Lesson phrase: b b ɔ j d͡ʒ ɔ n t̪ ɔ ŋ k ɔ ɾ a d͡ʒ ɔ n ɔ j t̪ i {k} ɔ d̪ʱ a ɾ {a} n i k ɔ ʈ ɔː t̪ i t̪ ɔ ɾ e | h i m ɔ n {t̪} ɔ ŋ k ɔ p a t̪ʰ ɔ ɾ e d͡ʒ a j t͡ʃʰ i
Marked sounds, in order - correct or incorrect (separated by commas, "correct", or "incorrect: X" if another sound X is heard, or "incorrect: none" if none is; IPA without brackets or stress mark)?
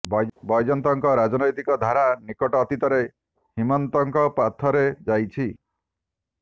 correct, correct, correct